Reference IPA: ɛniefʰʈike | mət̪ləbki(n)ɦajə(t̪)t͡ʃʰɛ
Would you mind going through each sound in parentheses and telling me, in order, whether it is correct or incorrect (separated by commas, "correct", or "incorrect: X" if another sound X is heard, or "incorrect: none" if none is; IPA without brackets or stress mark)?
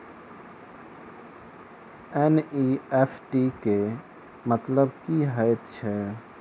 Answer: incorrect: none, correct